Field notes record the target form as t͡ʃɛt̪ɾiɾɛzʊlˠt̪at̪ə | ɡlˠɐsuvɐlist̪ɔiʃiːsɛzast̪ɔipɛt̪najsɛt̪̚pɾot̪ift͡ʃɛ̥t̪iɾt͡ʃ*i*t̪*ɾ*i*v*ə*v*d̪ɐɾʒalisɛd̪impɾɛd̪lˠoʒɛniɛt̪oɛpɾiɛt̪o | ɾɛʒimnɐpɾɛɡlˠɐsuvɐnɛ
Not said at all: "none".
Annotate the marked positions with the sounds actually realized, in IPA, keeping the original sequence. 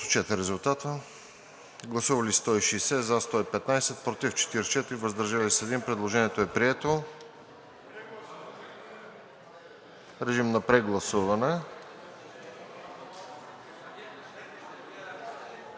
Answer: ɛ, ɾ, v, z

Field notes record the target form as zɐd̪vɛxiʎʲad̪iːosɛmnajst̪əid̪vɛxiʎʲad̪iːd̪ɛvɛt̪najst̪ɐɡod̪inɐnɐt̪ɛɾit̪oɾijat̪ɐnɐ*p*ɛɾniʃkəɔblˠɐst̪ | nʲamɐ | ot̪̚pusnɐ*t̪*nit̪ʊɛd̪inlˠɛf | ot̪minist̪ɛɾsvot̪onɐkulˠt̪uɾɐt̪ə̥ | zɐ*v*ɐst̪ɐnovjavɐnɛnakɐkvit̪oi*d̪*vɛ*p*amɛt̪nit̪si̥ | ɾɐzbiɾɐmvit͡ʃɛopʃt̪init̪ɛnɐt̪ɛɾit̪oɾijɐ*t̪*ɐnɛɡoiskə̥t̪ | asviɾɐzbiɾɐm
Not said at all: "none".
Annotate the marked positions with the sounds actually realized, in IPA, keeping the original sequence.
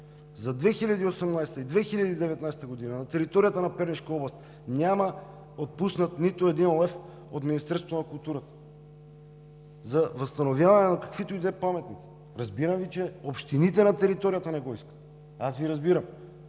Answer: p, t̪, v, d̪, p, t̪

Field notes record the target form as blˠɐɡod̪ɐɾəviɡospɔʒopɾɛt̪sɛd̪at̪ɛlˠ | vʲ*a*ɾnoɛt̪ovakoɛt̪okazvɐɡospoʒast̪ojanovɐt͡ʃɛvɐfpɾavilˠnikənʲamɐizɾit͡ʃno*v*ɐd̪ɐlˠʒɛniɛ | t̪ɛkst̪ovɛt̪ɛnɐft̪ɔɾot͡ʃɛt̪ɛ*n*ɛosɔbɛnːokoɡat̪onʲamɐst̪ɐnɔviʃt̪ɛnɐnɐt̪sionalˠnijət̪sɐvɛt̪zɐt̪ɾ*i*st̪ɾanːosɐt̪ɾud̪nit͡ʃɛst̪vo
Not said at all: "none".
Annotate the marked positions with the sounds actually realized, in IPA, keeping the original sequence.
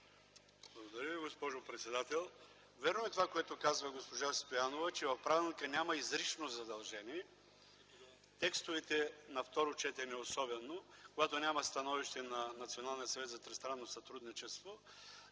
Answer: ɛ, z, n, ɛ

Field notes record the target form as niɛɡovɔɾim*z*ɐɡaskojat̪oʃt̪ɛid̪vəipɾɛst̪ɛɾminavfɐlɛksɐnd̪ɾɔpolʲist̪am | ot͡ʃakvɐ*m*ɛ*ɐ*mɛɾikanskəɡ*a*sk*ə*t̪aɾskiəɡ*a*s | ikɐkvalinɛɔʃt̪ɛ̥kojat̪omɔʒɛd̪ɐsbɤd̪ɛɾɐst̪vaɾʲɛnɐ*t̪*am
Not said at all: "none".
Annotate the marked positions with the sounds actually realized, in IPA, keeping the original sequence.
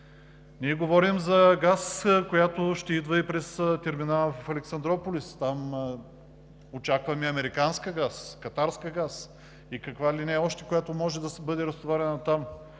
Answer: z, m, ɐ, a, ɐ, a, t̪

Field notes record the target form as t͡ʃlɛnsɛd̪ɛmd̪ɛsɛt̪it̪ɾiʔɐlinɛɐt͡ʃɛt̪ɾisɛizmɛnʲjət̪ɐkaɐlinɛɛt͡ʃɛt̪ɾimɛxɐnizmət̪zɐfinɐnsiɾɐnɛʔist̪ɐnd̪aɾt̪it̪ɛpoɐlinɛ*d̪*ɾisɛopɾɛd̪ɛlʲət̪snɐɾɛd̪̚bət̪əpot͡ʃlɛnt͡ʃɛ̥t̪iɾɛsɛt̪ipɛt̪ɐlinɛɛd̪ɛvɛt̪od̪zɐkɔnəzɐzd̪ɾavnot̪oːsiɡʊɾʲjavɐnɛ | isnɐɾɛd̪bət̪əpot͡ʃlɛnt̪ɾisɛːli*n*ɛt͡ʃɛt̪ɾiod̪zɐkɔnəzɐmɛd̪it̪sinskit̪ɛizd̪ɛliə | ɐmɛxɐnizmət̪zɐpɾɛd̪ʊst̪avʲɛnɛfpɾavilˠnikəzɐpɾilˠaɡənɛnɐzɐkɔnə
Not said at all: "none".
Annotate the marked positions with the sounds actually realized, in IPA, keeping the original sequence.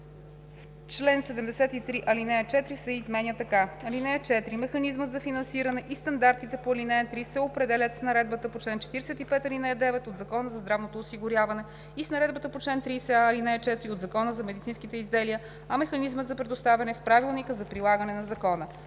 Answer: t̪, n

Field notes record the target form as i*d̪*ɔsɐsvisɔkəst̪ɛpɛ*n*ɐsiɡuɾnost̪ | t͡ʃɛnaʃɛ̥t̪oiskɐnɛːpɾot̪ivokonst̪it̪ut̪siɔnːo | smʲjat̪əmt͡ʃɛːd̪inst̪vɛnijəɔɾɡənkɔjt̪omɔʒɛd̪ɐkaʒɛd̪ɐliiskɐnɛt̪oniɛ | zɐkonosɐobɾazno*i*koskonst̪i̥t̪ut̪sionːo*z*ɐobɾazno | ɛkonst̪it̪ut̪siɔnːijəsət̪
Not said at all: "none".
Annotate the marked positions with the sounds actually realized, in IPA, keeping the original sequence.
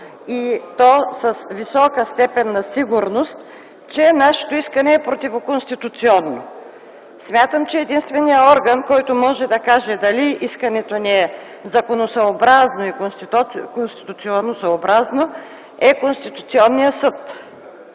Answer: t̪, nː, i, s

